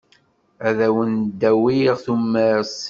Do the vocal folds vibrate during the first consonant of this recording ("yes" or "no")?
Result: yes